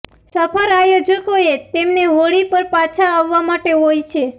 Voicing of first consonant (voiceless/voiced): voiceless